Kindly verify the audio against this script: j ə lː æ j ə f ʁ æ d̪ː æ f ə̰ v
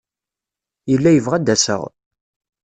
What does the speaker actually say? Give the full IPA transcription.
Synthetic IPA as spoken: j ə lː æ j ə v ʁ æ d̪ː æ s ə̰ ʁ